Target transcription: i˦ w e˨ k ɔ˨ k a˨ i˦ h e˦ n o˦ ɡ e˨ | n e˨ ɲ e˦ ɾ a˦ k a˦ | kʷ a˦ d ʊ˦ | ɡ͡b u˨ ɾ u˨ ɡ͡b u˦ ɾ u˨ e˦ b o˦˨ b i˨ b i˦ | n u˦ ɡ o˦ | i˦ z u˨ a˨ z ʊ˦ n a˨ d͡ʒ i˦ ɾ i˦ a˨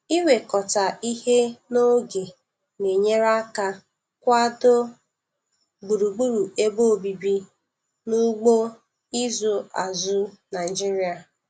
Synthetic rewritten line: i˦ w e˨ k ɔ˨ t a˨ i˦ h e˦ n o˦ ɡ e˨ | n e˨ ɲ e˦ ɾ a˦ k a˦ | kʷ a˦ d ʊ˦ | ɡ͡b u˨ ɾ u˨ ɡ͡b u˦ ɾ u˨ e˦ b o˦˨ b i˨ b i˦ | n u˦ ɡ͡b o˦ | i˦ z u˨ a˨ z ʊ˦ n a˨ d͡ʒ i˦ ɾ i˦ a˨